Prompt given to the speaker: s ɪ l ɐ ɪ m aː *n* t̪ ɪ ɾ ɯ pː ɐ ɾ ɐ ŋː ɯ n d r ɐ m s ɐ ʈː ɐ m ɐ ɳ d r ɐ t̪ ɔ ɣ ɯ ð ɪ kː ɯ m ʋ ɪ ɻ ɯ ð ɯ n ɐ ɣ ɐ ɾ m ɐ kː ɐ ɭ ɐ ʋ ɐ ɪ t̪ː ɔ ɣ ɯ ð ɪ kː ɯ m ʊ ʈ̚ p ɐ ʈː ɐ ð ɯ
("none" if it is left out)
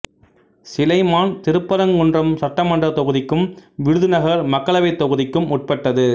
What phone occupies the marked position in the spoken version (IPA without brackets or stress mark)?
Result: n